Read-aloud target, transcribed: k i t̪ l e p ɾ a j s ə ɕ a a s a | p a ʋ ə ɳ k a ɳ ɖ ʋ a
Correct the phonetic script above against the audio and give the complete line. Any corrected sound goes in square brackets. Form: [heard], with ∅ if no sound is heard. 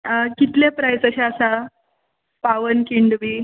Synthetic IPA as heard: k i t̪ l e p ɾ a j s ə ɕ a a s a | p a ʋ ə [n] k [i] ɳ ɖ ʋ [i]